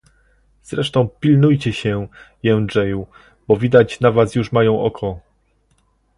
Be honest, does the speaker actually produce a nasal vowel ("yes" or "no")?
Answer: yes